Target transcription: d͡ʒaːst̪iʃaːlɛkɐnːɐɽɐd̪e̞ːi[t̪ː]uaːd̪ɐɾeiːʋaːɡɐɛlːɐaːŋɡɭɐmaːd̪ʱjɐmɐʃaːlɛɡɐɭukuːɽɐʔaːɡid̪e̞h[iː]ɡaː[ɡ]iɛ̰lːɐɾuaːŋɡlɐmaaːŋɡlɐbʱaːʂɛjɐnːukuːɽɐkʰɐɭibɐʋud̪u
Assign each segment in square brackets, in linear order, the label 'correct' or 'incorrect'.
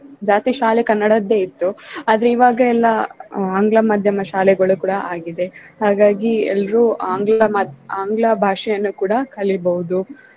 correct, incorrect: aː, correct

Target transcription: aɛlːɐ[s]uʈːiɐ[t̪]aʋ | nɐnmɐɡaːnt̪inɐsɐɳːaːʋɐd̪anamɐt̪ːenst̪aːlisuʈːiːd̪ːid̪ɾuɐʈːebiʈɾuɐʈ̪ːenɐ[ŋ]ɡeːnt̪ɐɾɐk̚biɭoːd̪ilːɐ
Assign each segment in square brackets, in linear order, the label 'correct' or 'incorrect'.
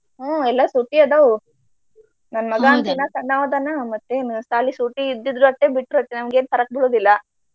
correct, incorrect: d̪, incorrect: m

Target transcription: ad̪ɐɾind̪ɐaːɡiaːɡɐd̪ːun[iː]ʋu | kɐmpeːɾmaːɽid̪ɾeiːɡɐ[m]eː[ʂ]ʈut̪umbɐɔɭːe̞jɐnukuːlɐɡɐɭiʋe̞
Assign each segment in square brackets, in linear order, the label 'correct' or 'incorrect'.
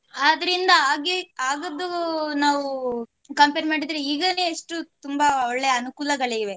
incorrect: aː, incorrect: n, correct

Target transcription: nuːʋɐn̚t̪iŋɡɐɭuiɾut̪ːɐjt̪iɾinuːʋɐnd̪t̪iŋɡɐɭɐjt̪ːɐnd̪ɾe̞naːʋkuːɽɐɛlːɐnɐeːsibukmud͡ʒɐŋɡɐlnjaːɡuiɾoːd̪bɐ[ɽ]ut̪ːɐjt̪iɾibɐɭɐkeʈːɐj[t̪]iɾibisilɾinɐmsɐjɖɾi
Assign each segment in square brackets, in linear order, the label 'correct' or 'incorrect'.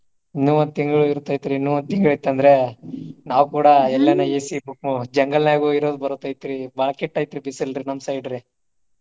incorrect: ɾ, correct

